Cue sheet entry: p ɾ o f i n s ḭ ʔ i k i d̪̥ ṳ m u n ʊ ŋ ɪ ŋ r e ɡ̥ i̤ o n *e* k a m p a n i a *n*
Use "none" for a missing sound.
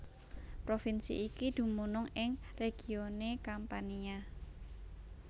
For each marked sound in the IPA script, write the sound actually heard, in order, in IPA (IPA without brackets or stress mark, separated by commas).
e, none